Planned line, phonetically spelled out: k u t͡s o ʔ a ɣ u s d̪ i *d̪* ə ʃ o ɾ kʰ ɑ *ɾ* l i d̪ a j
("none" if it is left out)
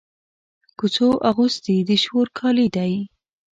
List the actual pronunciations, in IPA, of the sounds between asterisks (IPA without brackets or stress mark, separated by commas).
d̪, none